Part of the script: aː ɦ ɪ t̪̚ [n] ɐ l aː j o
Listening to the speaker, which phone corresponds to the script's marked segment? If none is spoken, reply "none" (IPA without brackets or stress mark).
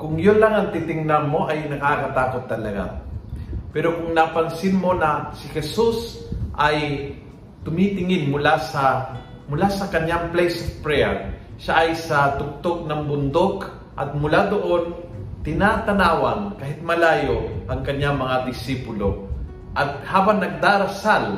m